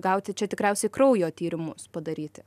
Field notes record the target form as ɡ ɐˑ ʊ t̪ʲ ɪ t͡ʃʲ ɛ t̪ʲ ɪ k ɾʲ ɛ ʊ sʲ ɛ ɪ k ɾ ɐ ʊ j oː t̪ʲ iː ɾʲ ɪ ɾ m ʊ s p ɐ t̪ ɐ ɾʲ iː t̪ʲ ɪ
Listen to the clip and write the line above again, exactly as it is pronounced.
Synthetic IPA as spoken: ɡ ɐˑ ʊ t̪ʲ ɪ t͡ʃʲ ɛ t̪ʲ ɪ k ɾʲ ɛ ʊ sʲ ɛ ɪ k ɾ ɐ ʊ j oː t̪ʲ iː ɾʲ ɪ m ʊ s p ɐ d̪ ɐ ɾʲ iː t̪ʲ ɪ